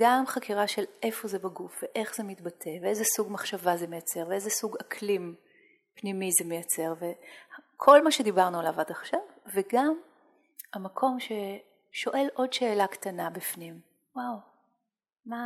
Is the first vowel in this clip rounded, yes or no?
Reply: no